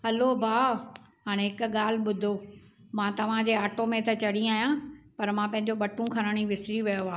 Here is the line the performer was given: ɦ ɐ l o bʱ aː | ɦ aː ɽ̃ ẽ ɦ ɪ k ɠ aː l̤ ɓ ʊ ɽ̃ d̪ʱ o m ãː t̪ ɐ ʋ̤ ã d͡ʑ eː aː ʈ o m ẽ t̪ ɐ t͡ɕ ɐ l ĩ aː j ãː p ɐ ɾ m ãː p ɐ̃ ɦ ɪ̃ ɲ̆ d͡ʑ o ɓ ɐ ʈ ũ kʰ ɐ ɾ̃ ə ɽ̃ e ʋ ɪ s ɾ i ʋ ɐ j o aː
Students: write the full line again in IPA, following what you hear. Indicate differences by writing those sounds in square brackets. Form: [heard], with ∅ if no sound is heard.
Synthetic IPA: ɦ ɐ l o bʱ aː | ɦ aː ɽ̃ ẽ ɦ ɪ k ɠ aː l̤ ɓ ʊ [∅] d̪ʱ o m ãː t̪ ɐ ʋ̤ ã d͡ʑ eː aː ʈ o m ẽ t̪ ɐ t͡ɕ ɐ [ɽ] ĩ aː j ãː p ɐ ɾ m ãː p ɐ̃ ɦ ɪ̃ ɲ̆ d͡ʑ o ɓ ɐ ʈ ũ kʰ ɐ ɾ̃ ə ɽ̃ [i] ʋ ɪ s ɾ i ʋ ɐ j o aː